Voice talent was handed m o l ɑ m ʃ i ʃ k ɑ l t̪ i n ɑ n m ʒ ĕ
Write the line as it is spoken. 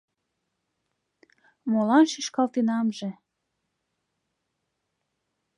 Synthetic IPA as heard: m o l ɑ n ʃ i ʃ k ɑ l t̪ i n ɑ m ʒ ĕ